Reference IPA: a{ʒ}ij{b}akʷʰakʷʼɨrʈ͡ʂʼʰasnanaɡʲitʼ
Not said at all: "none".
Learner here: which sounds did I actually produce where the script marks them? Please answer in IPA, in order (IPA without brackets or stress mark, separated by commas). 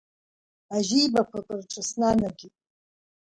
ʒ, b